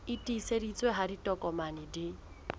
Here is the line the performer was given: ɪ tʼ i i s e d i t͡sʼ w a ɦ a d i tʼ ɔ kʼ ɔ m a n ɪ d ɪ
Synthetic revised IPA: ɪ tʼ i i s e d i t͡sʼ w e ɦ a d i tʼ ɔ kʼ ɔ m a n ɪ d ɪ